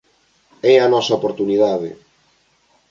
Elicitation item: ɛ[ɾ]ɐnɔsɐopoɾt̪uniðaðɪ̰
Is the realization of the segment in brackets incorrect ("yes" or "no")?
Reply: yes